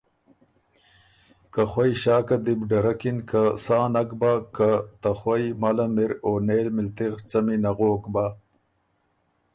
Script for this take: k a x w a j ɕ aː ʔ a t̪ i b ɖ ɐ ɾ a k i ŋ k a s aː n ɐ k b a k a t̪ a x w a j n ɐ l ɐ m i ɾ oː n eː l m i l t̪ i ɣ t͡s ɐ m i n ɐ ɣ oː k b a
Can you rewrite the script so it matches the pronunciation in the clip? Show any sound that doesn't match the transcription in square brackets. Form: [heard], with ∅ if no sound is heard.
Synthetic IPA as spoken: k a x w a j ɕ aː [k] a [d̪] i b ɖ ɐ ɾ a k i [n] k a s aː n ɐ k b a k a t̪ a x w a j [m] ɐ l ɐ m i ɾ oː n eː l m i l t̪ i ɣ t͡s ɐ m i n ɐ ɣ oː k b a